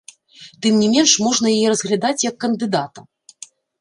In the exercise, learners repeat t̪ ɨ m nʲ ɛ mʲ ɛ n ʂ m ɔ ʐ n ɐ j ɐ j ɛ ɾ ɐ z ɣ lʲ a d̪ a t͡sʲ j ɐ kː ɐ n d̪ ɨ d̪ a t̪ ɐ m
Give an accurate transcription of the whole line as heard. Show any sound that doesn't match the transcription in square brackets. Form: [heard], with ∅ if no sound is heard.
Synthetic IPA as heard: t̪ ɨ m nʲ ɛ mʲ ɛ n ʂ m ɔ ʐ n ɐ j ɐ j ɛ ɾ ɐ z ɣ lʲ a d̪ a t͡sʲ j ɐ kː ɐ n d̪ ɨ d̪ a t̪ ɐ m